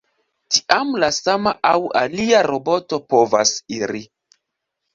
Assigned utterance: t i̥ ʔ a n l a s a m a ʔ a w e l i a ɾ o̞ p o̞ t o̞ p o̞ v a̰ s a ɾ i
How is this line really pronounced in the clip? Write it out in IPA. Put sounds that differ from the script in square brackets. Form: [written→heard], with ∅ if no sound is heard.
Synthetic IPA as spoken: t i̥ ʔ a [n→m] l a s a m a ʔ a w [e→a] l i a ɾ o̞ [p→b] o̞ t o̞ p o̞ v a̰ s [a→i] ɾ i